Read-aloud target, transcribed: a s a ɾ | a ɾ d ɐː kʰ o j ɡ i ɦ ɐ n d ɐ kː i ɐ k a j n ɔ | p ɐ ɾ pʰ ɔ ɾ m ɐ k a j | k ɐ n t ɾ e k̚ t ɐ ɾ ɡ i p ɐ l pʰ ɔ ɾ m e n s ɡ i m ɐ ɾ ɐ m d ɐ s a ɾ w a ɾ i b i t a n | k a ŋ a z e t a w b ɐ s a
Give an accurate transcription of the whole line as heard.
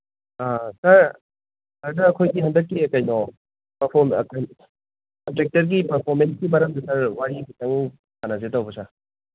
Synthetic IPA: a s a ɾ | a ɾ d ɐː kʰ o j ɡ i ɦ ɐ n d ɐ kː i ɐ k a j n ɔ | p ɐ ɾ pʰ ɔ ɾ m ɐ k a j | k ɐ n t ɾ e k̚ t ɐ ɾ ɡ i p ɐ ɾ pʰ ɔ ɾ m e n s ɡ i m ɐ ɾ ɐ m d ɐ s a ɾ w a ɾ i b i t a ŋ | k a n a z e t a w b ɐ s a

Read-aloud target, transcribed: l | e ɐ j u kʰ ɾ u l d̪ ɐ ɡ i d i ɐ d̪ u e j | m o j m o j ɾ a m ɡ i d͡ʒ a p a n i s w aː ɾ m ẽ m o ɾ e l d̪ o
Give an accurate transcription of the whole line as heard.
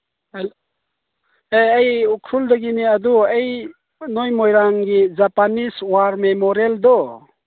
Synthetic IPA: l | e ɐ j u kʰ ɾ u l d̪ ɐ ɡ i n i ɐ d̪ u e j | n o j m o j ɾ a ŋ ɡ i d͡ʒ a p a n i s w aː ɾ m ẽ m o ɾ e l d̪ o

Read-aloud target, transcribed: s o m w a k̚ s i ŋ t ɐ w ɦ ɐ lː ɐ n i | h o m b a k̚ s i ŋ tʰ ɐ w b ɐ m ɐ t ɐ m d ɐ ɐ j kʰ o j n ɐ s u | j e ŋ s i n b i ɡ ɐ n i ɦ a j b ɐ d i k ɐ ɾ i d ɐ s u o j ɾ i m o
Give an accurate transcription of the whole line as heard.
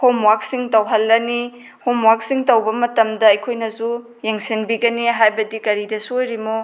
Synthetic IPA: h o m w a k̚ s i ŋ t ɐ w ɦ ɐ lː ɐ n i | h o m w a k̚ s i ŋ t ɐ w b ɐ m ɐ t ɐ m d ɐ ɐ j kʰ o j n ɐ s u | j e ŋ s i n b i ɡ ɐ n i ɦ a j b ɐ d i k ɐ ɾ i d ɐ s u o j ɾ i m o

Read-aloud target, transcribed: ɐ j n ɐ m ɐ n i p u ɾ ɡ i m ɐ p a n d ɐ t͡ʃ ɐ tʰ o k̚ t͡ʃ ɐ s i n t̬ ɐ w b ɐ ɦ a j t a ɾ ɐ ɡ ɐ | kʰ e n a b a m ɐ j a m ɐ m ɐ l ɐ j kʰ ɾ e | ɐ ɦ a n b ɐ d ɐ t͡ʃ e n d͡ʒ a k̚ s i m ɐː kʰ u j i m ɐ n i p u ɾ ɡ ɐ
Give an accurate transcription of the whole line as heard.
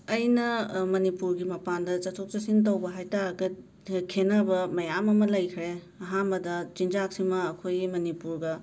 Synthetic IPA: ɐ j n ɐ m ɐ n i p u ɾ ɡ i m ɐ p a n d ɐ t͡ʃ ɐ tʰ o k̚ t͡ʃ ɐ s i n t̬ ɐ w b ɐ ɦ a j t a ɾ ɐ ɡ ɐ | kʰ e n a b ɐ m ɐ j a m ɐ m ɐ l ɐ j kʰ ɾ e | ɐ ɦ a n b ɐ d ɐ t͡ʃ i n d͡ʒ a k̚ s i m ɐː kʰ o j i m ɐ n i p u ɾ ɡ ɐ

